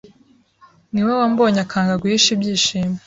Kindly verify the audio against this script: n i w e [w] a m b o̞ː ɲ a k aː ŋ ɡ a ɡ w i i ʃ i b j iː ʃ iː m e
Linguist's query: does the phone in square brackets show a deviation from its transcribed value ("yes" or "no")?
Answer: no